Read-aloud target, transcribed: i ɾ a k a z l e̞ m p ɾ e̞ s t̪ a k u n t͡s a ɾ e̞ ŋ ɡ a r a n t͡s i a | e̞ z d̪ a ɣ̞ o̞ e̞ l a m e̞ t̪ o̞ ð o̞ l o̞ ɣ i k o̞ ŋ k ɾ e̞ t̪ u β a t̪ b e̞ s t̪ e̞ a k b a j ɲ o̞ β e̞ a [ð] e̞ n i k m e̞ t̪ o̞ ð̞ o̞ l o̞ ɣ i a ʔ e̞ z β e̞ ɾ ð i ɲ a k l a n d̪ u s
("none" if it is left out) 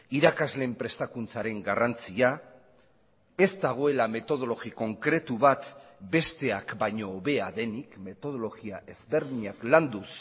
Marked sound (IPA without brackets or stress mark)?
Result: ð